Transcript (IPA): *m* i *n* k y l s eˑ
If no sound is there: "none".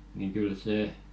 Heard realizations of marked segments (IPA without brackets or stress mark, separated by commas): n, ŋ